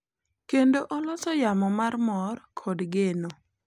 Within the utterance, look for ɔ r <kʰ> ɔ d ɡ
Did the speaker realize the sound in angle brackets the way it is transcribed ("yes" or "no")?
yes